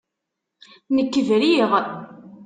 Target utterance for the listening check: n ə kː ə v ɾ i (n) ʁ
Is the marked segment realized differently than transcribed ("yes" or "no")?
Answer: yes